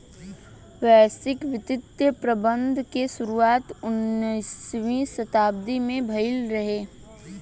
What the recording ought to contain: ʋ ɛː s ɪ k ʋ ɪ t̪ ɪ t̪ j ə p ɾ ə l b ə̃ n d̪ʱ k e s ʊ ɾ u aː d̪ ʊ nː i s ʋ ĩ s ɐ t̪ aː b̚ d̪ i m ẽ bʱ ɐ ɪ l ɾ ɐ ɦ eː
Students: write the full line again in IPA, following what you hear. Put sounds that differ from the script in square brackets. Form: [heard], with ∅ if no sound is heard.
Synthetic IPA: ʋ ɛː s ɪ k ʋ ɪ t̪ ɪ t̪ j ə p ɾ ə [∅] b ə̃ n d̪ʱ k e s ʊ ɾ u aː [t̪] ʊ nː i s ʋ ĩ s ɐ t̪ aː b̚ d̪ i m ẽ bʱ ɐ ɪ l ɾ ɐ ɦ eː